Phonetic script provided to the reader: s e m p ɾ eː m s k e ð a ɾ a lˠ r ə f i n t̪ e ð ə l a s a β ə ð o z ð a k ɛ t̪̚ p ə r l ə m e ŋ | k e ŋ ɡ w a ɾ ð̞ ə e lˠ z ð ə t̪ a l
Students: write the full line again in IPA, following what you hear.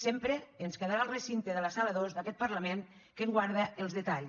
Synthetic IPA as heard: s e m p ɾ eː n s k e ð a ɾ a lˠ r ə s i n t̪ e ð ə l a s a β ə ð o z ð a k ɛ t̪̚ p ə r l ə m e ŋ | k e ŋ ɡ w a ɾ ð̞ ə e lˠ z ð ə t̪ a ʎ